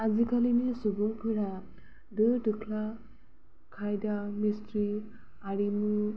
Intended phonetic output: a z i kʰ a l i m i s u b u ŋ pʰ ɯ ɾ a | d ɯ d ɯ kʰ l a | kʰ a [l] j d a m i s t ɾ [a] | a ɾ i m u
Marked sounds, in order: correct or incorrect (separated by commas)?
incorrect, incorrect